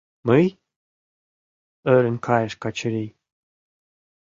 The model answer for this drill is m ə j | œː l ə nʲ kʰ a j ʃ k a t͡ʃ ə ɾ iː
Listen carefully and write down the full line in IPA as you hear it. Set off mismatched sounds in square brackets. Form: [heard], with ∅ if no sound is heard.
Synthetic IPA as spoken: m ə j | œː [ɾ] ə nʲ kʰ a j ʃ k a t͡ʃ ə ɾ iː